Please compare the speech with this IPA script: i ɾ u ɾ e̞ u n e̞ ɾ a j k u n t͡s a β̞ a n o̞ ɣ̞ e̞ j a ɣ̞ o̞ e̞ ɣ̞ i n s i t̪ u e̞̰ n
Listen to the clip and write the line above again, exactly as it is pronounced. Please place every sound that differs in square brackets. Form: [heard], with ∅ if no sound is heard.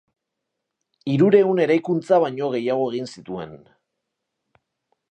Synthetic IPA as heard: i ɾ u ɾ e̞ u n e̞ ɾ a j k u n t͡s a β̞ a [ɲ] o̞ ɣ̞ e̞ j a ɣ̞ o̞ e̞ ɣ̞ i n s i t̪ u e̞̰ n